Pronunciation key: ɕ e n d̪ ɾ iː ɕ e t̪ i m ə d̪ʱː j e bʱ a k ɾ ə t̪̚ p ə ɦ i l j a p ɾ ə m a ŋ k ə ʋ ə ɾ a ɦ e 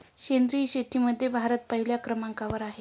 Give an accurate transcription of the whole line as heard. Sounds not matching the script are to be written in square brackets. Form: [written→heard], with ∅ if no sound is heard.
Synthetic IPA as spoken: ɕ e n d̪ ɾ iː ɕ e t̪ i m ə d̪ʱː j e bʱ a [k→∅] ɾ ə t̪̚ p ə ɦ i l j a [p→k] ɾ ə m a ŋ k [ə→a] ʋ ə ɾ a ɦ e

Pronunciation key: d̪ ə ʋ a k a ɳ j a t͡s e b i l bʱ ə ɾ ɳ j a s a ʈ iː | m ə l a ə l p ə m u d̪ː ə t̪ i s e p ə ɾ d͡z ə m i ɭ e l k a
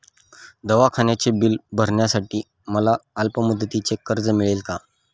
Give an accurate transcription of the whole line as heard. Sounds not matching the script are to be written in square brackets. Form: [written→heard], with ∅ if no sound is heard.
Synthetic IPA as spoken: d̪ ə ʋ a [k→kʰ] a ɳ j a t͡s e b i l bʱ ə ɾ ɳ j a s a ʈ iː | m ə l a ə l p ə m u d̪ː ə t̪ i [s→t͡s] e [p→k] ə ɾ d͡z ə m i ɭ e l k a

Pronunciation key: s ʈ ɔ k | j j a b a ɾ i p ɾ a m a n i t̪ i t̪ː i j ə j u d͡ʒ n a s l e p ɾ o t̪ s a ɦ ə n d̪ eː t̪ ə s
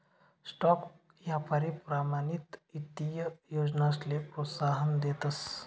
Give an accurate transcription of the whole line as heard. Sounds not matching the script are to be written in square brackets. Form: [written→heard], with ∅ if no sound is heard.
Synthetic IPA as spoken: s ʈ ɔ k | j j a [b→p] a ɾ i p ɾ a m a n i t̪ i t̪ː i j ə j [u→o] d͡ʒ n a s l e p ɾ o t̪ s a ɦ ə n d̪ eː t̪ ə s

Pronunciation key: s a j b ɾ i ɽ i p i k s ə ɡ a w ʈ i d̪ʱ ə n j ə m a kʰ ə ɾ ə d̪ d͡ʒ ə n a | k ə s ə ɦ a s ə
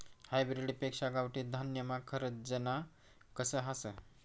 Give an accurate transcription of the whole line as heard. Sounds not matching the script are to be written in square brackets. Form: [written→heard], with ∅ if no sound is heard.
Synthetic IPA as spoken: [s→h] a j b ɾ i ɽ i p [i→e] k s [ə→a] ɡ a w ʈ i d̪ʱ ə n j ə m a kʰ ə ɾ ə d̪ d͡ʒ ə n a | k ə s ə ɦ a s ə

